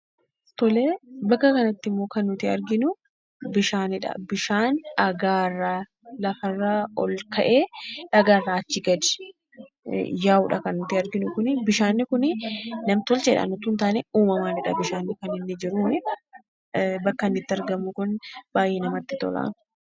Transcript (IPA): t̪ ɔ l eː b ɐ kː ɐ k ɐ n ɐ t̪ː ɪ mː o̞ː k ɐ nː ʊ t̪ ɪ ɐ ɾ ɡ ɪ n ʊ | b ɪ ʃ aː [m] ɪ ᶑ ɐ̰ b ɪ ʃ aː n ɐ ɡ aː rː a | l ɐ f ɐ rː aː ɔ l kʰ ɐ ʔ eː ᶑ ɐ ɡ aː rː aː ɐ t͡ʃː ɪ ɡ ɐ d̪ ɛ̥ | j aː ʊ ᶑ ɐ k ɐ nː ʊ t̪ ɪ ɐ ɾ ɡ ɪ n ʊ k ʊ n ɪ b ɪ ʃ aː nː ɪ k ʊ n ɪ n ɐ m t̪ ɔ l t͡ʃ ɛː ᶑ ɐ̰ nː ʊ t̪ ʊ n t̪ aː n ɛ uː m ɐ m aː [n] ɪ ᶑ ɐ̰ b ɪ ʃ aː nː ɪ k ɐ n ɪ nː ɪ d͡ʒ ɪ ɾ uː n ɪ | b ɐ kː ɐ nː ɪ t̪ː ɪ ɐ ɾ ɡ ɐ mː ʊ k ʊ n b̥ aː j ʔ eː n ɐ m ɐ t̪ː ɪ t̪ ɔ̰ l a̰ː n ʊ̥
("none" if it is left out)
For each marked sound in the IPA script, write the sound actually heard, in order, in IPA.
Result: n, n

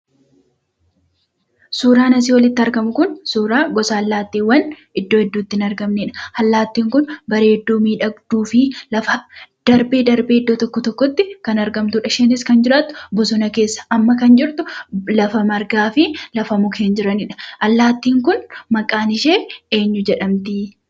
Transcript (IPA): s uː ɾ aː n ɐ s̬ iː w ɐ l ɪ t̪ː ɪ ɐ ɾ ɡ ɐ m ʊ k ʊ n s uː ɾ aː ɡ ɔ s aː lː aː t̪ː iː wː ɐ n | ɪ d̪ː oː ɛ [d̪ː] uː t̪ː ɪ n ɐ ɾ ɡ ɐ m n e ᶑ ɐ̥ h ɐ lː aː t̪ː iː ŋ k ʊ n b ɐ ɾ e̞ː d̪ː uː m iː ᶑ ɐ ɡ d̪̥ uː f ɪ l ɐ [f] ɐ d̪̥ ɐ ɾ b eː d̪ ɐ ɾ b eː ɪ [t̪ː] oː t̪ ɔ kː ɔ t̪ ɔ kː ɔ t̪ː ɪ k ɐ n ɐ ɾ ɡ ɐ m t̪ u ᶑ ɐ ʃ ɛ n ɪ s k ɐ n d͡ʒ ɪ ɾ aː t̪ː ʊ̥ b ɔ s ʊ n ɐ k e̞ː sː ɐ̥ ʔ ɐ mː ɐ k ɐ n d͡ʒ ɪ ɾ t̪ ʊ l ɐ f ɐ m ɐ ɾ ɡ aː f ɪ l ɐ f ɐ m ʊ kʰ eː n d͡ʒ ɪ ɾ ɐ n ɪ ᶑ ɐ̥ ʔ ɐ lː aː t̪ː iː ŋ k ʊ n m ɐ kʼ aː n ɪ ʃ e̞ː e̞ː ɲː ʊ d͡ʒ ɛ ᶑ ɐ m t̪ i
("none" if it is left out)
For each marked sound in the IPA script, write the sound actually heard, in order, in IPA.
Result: d̪ː, f, d̪ː

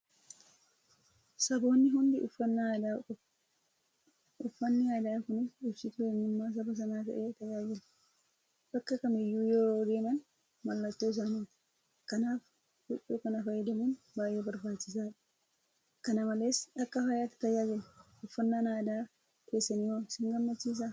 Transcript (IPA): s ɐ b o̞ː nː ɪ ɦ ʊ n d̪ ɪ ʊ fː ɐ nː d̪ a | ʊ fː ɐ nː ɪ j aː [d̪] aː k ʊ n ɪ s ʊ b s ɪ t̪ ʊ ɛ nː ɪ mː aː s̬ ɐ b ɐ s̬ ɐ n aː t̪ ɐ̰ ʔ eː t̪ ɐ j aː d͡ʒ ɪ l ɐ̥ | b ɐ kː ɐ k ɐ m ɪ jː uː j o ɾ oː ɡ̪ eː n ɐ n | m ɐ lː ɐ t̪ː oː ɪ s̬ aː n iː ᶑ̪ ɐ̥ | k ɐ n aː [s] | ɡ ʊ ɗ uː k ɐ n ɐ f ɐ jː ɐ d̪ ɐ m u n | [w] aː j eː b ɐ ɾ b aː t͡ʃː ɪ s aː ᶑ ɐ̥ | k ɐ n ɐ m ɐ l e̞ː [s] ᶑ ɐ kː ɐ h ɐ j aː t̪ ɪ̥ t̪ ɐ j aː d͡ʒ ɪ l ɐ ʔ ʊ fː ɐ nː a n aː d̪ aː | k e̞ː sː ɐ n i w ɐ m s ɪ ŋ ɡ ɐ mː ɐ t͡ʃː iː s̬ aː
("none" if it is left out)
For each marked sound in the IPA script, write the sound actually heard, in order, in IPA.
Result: d̪, f, b, s

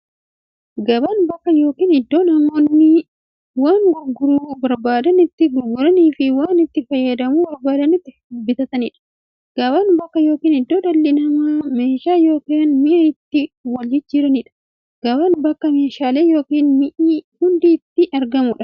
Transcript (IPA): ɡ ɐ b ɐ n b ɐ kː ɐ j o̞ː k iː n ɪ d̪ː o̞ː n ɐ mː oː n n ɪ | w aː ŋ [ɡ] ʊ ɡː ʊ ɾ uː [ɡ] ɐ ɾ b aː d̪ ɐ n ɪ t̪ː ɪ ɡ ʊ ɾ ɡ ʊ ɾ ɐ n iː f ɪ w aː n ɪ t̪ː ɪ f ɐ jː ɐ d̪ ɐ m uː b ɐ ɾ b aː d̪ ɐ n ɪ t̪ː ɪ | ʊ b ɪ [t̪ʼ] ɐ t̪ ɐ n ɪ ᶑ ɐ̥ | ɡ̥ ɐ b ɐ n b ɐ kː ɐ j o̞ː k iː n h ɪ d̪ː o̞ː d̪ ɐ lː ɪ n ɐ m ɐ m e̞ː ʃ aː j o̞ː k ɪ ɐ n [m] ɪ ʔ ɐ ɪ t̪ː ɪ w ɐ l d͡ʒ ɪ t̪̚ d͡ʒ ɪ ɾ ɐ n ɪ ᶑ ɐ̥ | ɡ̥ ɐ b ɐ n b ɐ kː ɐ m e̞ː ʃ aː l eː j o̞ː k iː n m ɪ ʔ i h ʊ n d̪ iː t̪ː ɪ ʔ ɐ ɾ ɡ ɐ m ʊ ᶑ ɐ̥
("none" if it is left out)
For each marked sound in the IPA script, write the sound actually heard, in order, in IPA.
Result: ɡ, b, t̪, m

